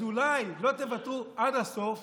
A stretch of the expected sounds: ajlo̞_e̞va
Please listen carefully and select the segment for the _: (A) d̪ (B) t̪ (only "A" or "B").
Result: B